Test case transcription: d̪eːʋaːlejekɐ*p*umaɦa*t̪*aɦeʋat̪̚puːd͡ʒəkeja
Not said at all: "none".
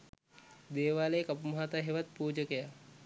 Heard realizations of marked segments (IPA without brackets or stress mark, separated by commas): p, t̪